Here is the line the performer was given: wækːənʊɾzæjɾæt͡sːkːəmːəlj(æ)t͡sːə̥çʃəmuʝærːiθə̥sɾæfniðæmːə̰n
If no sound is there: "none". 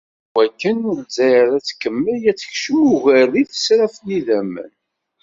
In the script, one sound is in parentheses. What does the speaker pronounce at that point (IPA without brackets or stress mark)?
æ